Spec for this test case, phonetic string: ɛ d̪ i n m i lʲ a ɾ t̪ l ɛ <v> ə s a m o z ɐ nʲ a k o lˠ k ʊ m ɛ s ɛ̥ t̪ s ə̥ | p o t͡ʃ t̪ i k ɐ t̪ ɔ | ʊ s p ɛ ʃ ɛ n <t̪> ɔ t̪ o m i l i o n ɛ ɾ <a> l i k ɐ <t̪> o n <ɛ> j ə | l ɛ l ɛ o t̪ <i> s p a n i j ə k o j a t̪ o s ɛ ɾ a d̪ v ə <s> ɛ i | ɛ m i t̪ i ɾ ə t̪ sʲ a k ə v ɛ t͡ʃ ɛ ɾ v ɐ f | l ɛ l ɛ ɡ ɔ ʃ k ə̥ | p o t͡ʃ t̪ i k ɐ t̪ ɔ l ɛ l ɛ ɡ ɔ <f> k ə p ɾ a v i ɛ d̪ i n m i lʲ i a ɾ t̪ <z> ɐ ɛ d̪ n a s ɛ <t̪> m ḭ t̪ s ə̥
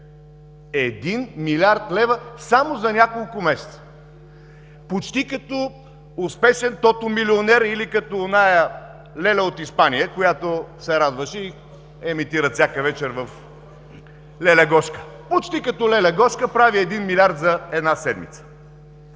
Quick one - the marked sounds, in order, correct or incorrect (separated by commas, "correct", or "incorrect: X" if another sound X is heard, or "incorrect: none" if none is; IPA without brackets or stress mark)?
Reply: correct, correct, incorrect: i, correct, incorrect: a, correct, incorrect: ʃ, incorrect: ʃ, correct, incorrect: d̪